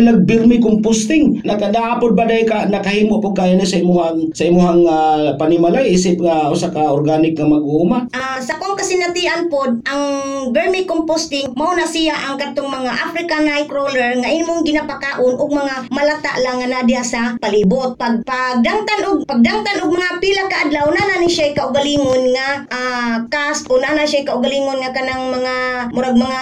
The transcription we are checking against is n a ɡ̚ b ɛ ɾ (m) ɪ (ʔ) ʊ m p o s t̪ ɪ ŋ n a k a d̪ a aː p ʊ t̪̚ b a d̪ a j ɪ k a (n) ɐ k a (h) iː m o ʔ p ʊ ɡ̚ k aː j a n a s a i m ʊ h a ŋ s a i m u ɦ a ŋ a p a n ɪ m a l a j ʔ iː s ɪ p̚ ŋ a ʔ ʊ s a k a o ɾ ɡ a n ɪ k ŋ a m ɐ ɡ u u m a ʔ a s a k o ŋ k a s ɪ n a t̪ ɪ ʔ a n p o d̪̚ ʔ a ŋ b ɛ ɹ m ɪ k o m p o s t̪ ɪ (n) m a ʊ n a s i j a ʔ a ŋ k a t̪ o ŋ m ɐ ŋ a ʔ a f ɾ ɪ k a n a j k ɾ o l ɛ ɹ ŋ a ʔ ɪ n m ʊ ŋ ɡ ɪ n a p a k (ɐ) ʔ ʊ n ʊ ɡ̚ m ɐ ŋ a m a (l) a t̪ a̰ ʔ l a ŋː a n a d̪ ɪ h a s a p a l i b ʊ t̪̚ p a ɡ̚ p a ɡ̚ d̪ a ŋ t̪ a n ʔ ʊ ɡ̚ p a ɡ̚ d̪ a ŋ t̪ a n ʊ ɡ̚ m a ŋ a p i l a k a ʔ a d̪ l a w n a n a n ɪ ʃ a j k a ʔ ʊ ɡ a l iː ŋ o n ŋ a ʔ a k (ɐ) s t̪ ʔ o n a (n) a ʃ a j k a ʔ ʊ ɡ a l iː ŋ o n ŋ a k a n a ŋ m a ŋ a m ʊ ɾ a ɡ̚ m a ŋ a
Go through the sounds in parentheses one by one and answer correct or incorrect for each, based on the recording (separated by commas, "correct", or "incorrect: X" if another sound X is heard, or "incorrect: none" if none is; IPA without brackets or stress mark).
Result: correct, incorrect: k, correct, correct, incorrect: ŋ, incorrect: a, correct, incorrect: a, correct